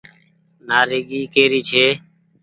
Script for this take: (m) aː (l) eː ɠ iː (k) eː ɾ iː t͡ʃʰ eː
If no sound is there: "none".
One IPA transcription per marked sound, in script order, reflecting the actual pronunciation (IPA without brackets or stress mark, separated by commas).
n, ɾ, k